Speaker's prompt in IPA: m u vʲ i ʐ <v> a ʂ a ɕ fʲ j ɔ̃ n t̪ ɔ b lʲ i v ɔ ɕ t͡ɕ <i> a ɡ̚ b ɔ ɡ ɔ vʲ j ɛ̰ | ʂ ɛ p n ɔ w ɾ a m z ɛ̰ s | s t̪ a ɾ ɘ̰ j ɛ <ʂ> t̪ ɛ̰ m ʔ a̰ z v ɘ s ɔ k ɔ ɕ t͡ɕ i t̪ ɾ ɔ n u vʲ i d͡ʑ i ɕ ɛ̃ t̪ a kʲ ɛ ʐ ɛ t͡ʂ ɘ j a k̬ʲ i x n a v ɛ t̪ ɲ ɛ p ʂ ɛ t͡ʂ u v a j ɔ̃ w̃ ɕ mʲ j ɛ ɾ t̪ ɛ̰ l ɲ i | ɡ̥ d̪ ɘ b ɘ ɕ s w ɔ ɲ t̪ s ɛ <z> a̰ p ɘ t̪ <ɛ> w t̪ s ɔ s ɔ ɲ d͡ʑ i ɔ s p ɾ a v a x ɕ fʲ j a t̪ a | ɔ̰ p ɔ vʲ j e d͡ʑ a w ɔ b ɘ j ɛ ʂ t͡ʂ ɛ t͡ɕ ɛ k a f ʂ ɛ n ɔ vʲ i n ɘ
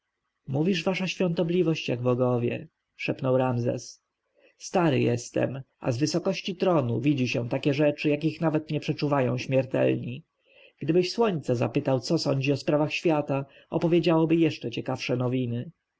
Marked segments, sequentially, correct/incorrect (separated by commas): correct, incorrect, incorrect, correct, incorrect